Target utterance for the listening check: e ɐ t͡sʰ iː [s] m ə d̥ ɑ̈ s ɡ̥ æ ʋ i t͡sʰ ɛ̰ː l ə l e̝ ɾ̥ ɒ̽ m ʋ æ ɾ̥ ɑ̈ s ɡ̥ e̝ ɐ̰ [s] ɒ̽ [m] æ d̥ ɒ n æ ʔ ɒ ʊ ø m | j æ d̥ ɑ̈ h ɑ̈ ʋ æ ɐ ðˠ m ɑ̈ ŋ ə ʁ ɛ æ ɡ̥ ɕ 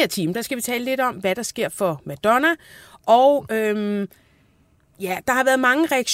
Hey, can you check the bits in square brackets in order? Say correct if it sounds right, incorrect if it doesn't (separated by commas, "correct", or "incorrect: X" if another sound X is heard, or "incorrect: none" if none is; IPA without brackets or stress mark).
incorrect: none, incorrect: f, correct